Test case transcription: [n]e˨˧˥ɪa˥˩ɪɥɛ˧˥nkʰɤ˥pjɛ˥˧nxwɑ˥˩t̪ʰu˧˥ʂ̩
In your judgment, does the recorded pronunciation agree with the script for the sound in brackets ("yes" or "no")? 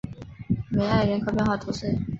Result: no